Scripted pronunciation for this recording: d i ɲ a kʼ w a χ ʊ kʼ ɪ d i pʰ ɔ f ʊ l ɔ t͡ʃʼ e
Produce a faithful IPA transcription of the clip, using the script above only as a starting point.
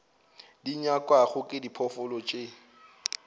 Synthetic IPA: d i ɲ a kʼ w a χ ʊ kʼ ɪ d i pʰ ɔ f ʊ l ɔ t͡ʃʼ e